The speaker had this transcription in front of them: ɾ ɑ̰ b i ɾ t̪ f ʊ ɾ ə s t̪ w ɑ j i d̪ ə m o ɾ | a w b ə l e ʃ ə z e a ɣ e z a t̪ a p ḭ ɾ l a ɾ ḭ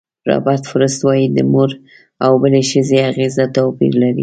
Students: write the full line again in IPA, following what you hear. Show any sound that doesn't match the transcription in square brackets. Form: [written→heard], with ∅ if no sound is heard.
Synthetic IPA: ɾ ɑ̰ b [i→a] ɾ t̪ f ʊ ɾ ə s t̪ w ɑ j i d̪ ə m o ɾ | a w b ə l e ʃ ə z e a ɣ e z a t̪ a p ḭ ɾ l a ɾ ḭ